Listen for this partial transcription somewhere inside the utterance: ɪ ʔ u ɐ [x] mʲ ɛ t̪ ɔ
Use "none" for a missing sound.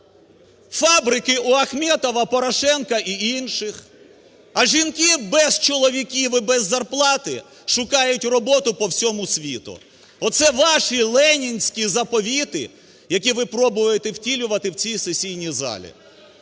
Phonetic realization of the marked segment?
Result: x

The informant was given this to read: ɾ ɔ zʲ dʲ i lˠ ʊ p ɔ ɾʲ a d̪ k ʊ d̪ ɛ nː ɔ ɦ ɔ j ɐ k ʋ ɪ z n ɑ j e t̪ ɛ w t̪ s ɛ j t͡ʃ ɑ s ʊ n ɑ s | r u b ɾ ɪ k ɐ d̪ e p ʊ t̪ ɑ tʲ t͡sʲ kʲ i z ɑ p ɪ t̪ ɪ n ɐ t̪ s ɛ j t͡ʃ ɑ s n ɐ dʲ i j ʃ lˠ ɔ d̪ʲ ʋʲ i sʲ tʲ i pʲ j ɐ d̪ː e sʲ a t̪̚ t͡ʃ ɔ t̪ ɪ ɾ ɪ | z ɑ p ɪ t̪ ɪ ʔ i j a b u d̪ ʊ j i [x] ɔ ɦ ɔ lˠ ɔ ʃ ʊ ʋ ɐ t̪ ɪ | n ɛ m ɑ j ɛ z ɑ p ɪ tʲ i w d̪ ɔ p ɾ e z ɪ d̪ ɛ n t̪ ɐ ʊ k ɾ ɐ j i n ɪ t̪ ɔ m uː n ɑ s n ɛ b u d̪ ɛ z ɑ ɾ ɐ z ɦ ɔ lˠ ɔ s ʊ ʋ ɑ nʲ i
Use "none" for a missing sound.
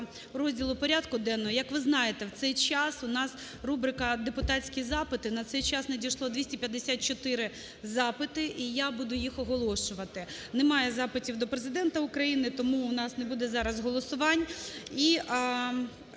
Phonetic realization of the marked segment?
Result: x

